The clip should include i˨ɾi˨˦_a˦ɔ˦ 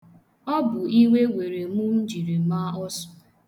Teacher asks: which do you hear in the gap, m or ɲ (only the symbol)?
m